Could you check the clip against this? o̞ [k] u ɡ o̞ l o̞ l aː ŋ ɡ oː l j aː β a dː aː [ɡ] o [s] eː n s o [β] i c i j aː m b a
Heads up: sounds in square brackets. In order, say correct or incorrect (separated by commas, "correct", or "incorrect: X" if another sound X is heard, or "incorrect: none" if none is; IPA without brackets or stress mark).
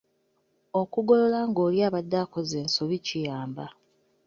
correct, incorrect: k, incorrect: z, correct